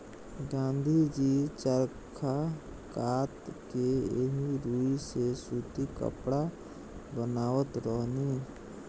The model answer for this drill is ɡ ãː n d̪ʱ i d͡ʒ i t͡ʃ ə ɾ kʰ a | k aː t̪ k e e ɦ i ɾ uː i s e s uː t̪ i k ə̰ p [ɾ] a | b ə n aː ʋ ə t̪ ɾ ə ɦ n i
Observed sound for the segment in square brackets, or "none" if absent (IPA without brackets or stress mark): ɽ